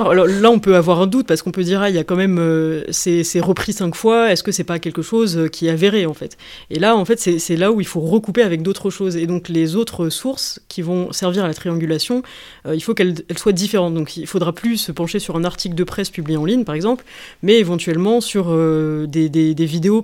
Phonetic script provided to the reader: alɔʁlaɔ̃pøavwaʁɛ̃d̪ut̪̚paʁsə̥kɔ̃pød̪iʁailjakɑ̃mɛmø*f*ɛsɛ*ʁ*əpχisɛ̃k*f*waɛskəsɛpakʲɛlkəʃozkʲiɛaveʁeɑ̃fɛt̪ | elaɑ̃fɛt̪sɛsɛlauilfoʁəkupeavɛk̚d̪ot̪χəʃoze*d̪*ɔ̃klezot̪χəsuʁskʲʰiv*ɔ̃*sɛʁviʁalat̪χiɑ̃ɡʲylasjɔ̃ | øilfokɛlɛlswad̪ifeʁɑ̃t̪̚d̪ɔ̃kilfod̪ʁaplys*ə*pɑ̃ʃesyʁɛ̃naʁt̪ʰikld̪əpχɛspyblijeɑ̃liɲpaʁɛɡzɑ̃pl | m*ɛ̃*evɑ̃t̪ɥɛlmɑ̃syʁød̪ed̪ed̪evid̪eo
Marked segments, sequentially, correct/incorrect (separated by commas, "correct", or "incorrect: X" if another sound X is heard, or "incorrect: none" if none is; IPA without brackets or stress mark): incorrect: s, correct, correct, correct, correct, correct, incorrect: ɛ